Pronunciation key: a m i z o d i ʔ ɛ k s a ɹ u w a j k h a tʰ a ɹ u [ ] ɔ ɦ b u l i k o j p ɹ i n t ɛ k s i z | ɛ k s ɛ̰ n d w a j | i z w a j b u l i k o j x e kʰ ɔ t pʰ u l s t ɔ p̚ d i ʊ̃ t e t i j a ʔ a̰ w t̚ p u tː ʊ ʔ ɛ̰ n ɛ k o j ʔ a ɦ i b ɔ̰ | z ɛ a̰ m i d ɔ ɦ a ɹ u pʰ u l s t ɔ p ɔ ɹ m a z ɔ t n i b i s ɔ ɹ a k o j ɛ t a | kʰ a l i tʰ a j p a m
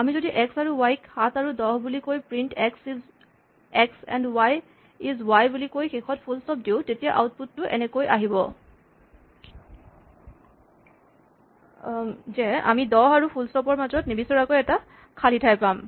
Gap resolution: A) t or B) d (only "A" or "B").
B